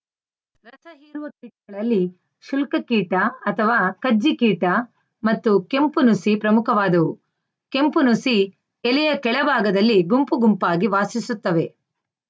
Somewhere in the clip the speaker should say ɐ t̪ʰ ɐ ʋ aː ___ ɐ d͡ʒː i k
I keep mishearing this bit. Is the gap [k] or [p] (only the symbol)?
k